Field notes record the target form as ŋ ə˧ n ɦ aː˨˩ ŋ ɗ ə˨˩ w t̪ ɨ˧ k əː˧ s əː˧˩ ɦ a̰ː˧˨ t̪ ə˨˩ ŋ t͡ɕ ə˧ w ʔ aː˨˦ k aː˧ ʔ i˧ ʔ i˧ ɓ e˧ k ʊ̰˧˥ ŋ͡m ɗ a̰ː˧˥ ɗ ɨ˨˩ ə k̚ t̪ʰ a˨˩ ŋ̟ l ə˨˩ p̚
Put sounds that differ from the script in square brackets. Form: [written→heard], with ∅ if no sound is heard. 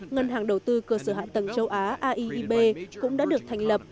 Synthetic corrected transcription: ŋ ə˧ n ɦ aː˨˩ ŋ ɗ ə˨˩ w t̪ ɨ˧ k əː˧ s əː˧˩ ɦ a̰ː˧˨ t̪ ə˨˩ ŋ t͡ɕ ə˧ w ʔ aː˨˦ [k→ʔ] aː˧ ʔ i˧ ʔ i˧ ɓ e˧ k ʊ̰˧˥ ŋ͡m ɗ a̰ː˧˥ ɗ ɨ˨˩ ə k̚ t̪ʰ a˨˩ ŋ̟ l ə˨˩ p̚